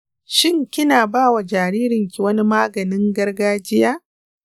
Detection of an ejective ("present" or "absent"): absent